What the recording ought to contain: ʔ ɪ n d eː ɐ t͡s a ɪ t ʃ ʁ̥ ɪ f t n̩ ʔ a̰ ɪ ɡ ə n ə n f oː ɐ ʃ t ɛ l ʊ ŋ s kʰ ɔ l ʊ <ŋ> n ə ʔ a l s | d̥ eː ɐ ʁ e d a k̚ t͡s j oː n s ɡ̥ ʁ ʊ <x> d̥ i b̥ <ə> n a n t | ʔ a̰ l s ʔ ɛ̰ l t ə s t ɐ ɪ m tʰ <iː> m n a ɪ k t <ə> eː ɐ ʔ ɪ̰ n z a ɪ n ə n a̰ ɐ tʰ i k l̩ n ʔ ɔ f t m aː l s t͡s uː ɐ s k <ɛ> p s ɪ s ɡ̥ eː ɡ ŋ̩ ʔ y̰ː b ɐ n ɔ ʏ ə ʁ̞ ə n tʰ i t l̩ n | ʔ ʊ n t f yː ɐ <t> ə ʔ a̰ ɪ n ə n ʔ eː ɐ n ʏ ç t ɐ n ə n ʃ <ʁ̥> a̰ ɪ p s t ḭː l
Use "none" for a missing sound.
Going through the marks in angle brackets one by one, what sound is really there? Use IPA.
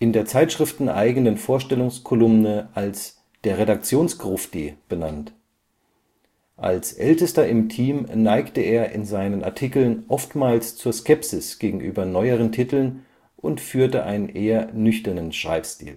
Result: m, f, ə, iː, ə, ɛ, t, ʁ̥

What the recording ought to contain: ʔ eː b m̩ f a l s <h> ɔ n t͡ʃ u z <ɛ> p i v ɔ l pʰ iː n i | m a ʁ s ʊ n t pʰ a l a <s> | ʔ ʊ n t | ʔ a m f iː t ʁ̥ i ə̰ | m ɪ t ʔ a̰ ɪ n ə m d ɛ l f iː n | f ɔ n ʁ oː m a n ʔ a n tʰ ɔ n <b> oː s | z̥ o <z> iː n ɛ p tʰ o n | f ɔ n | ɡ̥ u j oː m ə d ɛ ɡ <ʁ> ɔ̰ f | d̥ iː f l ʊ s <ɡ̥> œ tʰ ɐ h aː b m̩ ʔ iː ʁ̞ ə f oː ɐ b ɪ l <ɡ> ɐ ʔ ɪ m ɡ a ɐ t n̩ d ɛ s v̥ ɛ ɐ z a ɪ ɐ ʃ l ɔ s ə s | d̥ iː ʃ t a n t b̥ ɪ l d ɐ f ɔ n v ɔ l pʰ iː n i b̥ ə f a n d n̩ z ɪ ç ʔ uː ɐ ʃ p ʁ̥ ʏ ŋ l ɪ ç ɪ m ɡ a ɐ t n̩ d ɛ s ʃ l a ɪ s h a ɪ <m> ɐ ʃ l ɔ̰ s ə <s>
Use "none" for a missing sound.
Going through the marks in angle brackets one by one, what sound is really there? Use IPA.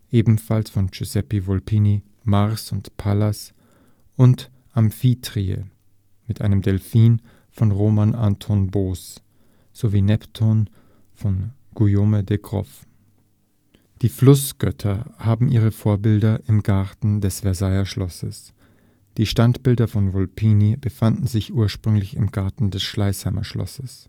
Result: f, ɛ, s, b, v, ʁ, ɡ̥, d, m, s

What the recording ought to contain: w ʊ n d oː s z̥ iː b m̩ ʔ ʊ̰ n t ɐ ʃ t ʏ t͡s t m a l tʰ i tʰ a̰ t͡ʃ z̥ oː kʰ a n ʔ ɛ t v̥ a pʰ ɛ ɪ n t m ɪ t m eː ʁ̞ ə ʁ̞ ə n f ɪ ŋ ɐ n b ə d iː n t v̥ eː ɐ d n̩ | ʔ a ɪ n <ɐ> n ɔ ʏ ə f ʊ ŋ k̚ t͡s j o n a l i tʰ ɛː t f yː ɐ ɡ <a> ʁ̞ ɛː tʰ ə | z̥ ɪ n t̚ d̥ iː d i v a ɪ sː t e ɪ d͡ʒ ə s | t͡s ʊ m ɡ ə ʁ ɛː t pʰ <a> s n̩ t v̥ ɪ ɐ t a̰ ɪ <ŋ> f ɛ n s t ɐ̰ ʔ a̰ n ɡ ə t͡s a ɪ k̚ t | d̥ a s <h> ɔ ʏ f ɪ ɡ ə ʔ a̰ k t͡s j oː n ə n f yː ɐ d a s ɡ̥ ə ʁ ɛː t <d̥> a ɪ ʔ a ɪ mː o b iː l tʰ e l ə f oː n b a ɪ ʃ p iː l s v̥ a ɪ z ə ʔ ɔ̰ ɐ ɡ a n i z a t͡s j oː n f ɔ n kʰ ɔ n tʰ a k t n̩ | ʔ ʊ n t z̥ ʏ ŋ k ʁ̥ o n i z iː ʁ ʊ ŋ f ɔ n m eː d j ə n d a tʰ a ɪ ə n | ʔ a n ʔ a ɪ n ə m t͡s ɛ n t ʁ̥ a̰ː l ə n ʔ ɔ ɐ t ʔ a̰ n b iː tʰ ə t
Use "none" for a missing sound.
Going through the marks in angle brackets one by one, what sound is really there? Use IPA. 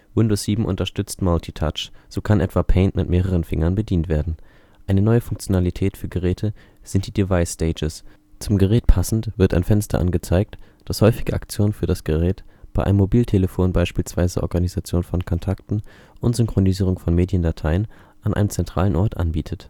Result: ə, ə, a, n, h, b̥

